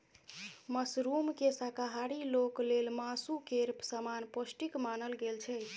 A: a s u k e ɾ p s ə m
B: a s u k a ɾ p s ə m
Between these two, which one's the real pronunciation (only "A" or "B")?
A